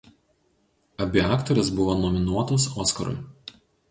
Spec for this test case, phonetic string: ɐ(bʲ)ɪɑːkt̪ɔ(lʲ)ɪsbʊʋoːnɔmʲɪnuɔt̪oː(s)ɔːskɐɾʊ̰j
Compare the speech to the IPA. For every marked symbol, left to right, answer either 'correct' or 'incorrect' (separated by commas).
correct, incorrect, correct